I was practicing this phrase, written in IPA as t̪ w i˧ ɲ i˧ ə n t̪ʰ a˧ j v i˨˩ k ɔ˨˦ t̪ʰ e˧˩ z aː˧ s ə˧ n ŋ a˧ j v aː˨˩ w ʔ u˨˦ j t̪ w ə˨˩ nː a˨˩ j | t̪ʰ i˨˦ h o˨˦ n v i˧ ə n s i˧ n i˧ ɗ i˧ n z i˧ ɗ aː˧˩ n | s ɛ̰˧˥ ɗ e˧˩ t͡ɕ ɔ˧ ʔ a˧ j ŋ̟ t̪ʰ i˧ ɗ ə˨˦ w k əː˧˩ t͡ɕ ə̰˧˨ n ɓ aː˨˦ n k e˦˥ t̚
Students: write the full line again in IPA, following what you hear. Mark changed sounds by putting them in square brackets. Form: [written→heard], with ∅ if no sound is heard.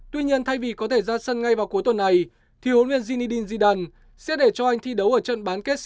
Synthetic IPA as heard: t̪ w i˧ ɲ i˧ ə n t̪ʰ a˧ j v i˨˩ k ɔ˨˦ t̪ʰ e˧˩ z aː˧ s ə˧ n ŋ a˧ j v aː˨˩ w [ʔ→k] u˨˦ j t̪ w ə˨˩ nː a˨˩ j | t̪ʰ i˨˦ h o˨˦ n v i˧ ə n [s→z] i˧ n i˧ ɗ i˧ n z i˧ ɗ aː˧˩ n | s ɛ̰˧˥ ɗ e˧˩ t͡ɕ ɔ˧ ʔ a˧ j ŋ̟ t̪ʰ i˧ ɗ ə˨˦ w [k→ʔ] əː˧˩ t͡ɕ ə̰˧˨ n ɓ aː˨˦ n k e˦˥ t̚